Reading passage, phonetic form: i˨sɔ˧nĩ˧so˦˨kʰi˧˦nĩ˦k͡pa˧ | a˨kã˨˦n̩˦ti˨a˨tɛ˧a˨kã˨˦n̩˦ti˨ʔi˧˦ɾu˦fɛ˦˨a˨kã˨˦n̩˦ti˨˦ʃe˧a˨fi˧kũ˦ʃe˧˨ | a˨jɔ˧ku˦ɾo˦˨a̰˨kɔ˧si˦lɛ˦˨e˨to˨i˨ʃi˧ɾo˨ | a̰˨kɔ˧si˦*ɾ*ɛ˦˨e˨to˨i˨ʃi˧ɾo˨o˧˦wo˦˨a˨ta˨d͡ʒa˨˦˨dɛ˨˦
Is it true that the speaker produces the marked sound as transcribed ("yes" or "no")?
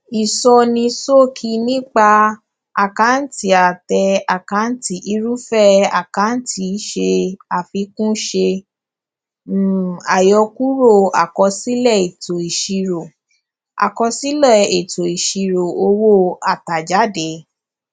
no